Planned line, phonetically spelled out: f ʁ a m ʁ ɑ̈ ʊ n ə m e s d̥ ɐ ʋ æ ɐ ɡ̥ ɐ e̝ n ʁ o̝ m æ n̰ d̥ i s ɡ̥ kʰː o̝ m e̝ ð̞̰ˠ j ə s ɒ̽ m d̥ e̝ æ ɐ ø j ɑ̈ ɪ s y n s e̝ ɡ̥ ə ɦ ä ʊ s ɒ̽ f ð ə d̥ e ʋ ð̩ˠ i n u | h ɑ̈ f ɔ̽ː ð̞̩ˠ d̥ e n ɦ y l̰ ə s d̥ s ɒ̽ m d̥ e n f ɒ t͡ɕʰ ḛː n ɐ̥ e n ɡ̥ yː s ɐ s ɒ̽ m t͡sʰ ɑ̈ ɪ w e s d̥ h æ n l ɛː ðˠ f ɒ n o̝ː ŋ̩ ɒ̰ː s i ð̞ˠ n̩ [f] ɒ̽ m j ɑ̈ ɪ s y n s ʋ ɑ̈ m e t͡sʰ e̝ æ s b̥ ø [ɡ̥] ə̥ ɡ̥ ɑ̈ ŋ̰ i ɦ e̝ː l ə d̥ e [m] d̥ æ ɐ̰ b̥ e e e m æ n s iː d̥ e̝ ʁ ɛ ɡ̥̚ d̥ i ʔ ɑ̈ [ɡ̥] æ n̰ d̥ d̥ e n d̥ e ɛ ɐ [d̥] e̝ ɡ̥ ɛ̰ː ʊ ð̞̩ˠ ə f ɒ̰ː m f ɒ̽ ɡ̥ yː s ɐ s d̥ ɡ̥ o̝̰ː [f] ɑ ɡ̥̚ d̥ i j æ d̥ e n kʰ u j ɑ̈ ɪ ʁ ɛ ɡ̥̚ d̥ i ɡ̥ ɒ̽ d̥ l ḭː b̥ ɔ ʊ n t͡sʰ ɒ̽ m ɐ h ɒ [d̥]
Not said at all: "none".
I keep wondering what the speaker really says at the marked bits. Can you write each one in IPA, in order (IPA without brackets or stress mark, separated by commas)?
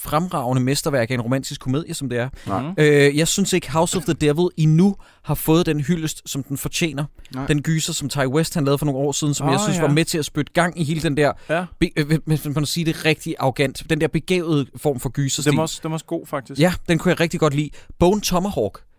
s, d̥, n, ɡ̥, b̥, f, ɡ̥